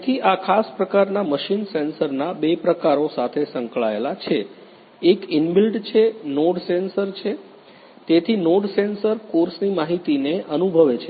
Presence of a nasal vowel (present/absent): absent